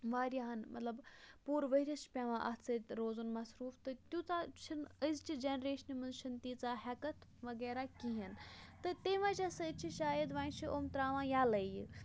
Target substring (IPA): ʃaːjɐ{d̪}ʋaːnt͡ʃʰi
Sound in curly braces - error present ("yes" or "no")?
no